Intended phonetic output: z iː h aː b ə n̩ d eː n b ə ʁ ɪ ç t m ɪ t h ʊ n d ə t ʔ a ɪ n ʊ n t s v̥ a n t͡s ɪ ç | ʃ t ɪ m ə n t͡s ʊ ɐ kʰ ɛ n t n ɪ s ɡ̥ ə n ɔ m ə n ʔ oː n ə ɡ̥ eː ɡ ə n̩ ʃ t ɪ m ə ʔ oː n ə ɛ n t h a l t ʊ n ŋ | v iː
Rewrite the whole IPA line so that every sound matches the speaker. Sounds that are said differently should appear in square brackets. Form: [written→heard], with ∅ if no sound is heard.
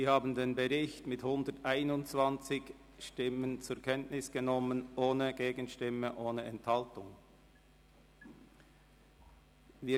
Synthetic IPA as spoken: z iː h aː b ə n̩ d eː n b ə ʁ ɪ ç t m ɪ t h ʊ n d ə t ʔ a ɪ n ʊ n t [s→t͡s] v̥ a n t͡s ɪ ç | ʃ t ɪ m ə n t͡s ʊ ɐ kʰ ɛ n t n ɪ s ɡ̥ ə n ɔ m ə n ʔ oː n ə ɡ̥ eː ɡ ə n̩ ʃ t ɪ m ə ʔ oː n ə ɛ n t h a l t ʊ [n→∅] ŋ | v iː